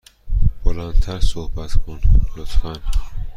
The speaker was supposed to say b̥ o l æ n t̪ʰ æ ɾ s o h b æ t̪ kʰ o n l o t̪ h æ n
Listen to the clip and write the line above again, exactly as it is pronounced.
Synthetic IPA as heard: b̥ o l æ n t̪ʰ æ ɾ s o h b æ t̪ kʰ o n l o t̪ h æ n